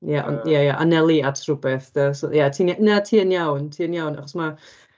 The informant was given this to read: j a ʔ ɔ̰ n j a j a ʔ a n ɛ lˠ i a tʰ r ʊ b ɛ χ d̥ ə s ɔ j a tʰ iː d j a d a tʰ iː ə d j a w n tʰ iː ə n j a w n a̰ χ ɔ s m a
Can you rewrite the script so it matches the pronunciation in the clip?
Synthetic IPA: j a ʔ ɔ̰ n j a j a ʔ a n ɛ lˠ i a tʰ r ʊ b ɛ θ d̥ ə s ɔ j a tʰ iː n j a n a tʰ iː ə n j a w n tʰ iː ə n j a w n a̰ χ ɔ s m a